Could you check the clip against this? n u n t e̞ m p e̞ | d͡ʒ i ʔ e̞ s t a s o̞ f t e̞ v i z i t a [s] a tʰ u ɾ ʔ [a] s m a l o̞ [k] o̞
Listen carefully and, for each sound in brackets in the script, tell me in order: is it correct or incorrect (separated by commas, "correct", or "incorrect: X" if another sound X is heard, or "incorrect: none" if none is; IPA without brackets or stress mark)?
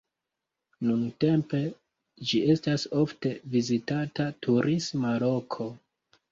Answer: incorrect: t, incorrect: i, incorrect: kʰ